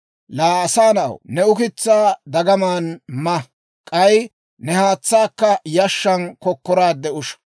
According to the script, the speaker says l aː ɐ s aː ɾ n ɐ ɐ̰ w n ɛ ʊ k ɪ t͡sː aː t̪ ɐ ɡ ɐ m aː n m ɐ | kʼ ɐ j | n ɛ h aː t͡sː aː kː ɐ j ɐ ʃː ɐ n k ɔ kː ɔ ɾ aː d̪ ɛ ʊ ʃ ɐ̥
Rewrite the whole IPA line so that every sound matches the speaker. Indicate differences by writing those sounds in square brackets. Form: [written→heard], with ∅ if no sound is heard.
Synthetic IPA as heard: l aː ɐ s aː [ɾ→∅] n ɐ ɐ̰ w n ɛ ʊ k ɪ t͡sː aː [t̪→d̪] ɐ ɡ ɐ m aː n m ɐ | kʼ ɐ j | n ɛ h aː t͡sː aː kː ɐ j ɐ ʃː ɐ n k ɔ kː ɔ ɾ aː d̪ ɛ ʊ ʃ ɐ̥